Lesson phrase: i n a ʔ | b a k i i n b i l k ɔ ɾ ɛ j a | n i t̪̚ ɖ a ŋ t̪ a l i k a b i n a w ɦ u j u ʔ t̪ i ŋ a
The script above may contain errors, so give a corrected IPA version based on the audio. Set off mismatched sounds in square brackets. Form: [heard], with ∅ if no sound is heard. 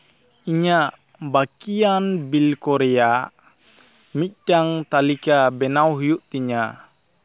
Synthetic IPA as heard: i [ɲ] a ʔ | b a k i [a] n b i l k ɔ ɾ ɛ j a | [m] i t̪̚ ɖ a ŋ t̪ a l i k a b [ɛ] n a w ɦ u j u ʔ t̪ i [ɲ] a